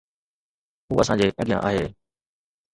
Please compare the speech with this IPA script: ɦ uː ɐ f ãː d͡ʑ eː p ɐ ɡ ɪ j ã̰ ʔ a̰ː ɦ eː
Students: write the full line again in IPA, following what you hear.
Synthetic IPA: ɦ uː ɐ s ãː d͡ʑ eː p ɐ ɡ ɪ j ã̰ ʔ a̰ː ɦ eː